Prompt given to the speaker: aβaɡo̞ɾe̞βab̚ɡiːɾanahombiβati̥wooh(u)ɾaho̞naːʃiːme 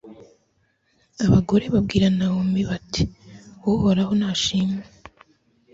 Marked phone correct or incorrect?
incorrect